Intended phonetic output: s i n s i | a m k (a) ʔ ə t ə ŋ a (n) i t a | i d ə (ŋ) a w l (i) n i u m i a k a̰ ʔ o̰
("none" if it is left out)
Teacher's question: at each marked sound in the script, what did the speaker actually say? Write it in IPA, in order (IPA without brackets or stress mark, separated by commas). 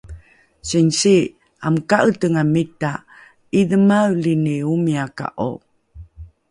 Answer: a, m, m, i